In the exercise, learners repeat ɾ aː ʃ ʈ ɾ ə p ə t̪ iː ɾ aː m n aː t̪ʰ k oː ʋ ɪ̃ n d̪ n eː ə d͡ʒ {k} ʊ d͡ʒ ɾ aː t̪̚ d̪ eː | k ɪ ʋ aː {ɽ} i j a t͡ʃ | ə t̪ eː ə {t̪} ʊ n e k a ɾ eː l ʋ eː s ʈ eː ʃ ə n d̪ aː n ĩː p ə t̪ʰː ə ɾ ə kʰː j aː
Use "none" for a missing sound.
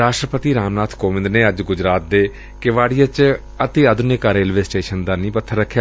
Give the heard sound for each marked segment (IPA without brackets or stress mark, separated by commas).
ɡ, ɽ, d̪